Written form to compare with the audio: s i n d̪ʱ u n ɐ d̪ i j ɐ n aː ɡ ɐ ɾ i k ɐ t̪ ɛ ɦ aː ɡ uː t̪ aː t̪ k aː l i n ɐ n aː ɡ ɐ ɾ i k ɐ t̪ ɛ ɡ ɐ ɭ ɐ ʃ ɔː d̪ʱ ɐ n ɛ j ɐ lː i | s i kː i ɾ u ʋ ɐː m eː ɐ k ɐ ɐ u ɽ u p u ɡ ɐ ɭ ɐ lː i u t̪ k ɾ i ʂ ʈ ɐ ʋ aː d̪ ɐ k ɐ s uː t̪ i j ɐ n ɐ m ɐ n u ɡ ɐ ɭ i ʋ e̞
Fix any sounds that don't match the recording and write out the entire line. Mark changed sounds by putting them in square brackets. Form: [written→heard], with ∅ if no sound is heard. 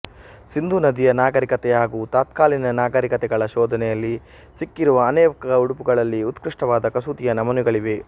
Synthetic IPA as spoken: s i n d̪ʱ u n ɐ d̪ i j ɐ n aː ɡ ɐ ɾ i k ɐ t̪ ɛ ɦ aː ɡ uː t̪ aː t̪ k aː l i n ɐ n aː ɡ ɐ ɾ i k ɐ t̪ ɛ ɡ ɐ ɭ ɐ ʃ ɔː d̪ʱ ɐ n ɛ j ɐ lː i | s i kː i ɾ u ʋ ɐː [m→n] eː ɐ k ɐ ɐ u ɽ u p u ɡ ɐ ɭ ɐ lː i u t̪ k ɾ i ʂ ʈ ɐ ʋ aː d̪ ɐ k ɐ s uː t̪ i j ɐ n ɐ m ɐ n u ɡ ɐ ɭ i ʋ e̞